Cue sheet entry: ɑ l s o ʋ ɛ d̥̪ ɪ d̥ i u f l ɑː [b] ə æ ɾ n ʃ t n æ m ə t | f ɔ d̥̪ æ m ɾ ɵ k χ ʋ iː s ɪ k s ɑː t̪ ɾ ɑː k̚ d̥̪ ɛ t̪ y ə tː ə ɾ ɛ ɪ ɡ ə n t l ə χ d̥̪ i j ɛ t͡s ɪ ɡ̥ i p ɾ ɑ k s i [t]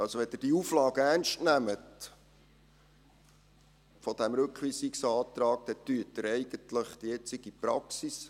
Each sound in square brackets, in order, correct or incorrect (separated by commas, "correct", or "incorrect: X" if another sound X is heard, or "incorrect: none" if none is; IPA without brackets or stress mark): incorrect: ɡ, incorrect: s